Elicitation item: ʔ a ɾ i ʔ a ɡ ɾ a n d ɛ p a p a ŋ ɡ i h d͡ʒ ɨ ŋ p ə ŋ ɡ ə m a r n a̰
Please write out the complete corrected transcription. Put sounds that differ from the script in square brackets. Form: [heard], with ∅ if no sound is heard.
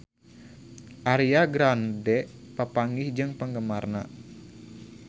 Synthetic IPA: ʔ a ɾ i [∅] a ɡ ɾ a n d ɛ p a p a ŋ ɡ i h d͡ʒ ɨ ŋ p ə ŋ ɡ ə m a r n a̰